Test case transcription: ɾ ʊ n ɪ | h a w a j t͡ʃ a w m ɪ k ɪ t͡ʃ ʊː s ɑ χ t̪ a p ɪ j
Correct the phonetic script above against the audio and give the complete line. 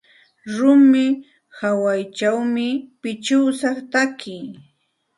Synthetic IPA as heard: ɾ ʊ m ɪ | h a w a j t͡ʃ a w m ɪ p ɪ t͡ʃ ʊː s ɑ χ t̪ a k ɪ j